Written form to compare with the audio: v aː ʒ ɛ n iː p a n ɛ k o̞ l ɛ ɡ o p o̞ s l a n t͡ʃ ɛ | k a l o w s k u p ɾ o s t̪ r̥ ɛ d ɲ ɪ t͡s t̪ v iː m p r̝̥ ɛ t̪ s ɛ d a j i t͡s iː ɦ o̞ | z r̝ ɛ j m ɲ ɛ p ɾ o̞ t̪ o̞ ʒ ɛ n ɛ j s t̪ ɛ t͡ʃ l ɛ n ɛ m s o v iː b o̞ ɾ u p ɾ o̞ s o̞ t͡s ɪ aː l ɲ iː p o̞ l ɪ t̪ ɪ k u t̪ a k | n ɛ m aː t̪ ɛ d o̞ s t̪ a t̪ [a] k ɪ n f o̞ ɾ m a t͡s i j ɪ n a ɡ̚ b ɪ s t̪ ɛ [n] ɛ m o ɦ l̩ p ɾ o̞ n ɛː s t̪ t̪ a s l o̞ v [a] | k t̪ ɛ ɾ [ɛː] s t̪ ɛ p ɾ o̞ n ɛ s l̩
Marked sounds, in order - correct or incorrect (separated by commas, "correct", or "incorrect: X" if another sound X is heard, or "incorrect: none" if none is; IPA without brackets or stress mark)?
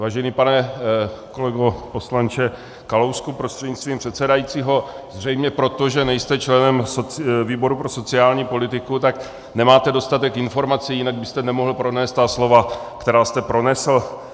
incorrect: ɛ, correct, correct, incorrect: aː